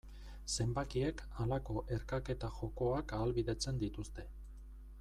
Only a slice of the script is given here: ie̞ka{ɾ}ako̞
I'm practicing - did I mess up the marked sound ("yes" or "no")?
yes